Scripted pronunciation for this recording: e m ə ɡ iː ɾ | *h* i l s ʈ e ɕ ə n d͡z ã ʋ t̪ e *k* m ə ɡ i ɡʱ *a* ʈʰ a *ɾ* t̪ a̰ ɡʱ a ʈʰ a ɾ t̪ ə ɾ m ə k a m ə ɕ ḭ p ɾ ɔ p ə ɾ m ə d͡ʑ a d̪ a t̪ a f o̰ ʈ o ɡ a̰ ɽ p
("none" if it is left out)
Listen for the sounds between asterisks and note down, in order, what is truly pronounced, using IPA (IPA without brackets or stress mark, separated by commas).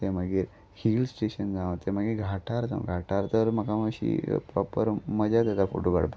h, none, a, ɾ